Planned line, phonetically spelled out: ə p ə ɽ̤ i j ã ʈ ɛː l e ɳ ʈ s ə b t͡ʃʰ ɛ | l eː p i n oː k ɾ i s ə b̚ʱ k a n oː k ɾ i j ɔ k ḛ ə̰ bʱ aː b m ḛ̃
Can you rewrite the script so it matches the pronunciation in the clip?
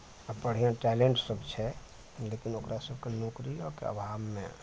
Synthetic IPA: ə p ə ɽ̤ i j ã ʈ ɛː l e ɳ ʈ s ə b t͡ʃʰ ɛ | l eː k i n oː k ɾ a s ə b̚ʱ k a n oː k ɾ i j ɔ k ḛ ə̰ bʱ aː b m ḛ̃